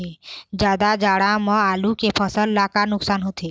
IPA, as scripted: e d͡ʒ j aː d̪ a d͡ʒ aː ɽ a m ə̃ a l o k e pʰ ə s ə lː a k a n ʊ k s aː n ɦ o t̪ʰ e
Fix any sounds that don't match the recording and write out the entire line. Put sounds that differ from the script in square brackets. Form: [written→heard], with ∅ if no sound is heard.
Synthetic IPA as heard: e d͡ʒ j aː d̪ a d͡ʒ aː ɽ a m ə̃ a l [o→u] k e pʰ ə s ə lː a k a n ʊ k s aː n ɦ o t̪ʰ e